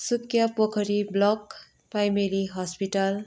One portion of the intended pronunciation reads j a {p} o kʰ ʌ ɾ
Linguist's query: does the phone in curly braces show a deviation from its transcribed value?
no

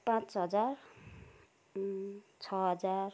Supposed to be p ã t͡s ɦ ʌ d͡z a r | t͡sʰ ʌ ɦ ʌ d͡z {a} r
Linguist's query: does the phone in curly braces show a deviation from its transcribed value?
no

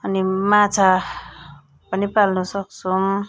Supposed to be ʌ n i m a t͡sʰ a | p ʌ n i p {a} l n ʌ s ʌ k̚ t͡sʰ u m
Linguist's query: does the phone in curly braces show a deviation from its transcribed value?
no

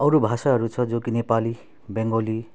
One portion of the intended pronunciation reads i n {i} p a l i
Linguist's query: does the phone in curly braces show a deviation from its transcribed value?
yes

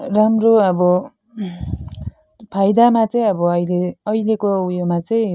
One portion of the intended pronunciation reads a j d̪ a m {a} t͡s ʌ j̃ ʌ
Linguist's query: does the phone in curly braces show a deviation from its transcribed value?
no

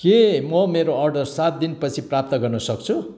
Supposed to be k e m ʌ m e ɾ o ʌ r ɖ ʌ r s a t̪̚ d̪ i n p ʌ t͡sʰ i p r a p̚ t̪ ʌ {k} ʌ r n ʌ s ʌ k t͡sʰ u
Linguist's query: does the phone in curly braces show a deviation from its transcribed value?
yes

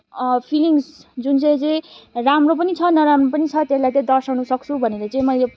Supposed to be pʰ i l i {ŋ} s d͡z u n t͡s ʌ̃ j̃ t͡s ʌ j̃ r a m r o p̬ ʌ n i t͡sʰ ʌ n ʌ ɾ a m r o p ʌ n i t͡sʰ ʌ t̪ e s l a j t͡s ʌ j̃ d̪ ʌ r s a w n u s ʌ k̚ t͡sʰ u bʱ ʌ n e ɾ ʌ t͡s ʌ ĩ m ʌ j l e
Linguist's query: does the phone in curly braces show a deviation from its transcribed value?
no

